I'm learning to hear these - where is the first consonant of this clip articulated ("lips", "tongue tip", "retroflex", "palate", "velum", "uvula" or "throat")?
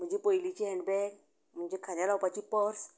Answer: lips